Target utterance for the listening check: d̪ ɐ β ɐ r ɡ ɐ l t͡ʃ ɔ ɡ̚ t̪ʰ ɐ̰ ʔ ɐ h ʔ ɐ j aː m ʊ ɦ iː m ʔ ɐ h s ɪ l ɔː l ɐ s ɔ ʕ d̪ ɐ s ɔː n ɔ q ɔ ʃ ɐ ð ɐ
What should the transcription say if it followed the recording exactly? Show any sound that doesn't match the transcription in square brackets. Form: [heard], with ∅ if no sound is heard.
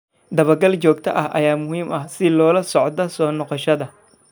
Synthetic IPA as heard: d̪ ɐ β ɐ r ɡ ɐ l t͡ʃ [ɔː] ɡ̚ t̪ʰ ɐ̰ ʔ ɐ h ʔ ɐ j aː m ʊ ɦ iː m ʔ ɐ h s ɪ l ɔː l ɐ s ɔ ʕ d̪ ɐ s ɔː n ɔ q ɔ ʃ ɐ ð ɐ